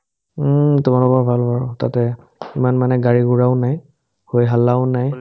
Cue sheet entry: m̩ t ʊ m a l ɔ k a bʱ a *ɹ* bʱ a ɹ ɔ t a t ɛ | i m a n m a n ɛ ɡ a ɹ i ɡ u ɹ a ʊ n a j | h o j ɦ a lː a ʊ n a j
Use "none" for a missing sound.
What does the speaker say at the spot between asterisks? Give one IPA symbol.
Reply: l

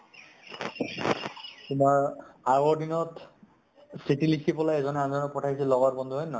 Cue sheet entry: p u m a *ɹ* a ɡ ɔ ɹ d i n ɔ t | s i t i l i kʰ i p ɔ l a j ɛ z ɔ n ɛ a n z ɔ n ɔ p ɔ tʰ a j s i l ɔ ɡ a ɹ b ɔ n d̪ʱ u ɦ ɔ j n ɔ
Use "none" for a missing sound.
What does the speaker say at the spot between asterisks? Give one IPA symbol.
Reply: ɹ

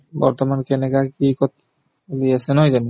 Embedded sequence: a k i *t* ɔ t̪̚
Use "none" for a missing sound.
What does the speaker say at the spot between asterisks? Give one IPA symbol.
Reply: k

